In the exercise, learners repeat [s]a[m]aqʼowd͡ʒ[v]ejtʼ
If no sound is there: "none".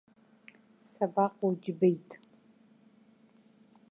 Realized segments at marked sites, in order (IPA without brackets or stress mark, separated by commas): s, b, b